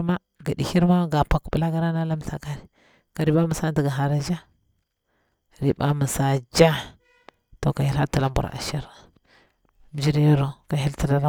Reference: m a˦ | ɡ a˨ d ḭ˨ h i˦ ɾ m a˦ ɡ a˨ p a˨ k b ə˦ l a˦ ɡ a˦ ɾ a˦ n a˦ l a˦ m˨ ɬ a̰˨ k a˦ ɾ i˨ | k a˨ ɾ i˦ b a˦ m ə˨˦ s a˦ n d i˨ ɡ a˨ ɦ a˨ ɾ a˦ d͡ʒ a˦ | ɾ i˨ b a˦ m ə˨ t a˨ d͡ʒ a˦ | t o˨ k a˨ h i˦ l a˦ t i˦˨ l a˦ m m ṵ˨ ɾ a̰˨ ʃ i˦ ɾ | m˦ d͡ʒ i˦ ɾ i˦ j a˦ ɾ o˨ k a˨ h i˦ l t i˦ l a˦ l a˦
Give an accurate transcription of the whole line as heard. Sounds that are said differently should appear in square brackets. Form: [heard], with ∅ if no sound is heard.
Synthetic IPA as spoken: m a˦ | ɡ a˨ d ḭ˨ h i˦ ɾ m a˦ ɡ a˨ p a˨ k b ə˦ l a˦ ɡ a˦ ɾ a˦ n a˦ l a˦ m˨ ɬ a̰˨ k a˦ ɾ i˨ | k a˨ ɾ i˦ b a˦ m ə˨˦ s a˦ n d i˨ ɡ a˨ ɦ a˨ ɾ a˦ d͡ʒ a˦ | ɾ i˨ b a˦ m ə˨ [s] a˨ d͡ʒ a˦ | t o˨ k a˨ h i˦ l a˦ t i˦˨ l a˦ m [b] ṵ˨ ɾ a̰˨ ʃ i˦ ɾ | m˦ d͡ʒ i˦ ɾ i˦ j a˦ ɾ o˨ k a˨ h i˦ l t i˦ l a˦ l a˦